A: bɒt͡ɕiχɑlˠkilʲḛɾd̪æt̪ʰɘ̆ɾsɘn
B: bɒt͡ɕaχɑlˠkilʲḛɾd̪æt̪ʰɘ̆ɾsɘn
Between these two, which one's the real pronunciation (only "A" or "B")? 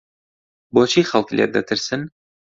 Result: A